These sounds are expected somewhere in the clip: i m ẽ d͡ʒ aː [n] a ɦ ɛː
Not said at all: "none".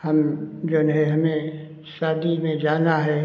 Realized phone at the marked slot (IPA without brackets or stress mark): n